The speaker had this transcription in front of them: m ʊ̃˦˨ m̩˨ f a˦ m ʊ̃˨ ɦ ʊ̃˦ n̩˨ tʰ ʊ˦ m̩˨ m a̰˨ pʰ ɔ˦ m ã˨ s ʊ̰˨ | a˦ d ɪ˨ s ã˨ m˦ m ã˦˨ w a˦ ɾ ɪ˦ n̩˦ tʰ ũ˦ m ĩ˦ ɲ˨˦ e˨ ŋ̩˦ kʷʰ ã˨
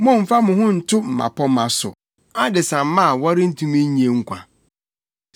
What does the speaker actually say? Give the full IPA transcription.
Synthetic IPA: m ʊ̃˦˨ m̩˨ f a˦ m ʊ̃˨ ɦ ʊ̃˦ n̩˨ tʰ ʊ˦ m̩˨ m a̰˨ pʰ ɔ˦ m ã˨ s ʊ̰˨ | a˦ d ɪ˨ s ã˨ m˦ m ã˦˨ w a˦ ɾ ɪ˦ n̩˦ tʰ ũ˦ m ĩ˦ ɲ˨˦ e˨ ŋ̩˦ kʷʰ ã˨